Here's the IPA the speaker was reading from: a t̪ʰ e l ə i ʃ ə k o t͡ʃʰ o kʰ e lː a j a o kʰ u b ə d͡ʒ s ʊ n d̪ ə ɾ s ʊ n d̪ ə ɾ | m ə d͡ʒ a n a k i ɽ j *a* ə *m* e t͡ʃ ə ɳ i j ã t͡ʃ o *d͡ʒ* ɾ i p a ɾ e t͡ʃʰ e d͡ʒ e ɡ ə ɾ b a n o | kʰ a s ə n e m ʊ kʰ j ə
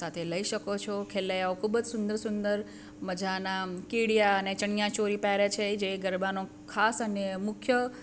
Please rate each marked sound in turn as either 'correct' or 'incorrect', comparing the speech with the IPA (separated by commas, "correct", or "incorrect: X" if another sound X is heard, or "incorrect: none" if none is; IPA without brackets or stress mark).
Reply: correct, incorrect: n, incorrect: none